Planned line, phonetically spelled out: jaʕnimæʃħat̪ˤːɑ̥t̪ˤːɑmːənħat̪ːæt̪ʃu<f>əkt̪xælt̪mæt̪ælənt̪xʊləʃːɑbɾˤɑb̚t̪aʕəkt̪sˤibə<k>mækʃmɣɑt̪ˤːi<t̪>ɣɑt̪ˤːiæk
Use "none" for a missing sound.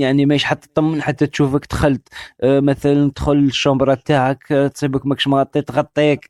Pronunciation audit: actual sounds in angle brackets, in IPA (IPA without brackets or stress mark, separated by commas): f, k, t̪